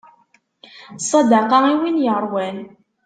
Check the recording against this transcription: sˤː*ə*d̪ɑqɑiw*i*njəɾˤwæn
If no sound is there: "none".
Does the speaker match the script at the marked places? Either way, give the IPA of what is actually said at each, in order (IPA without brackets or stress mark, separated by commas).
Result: ɑ, i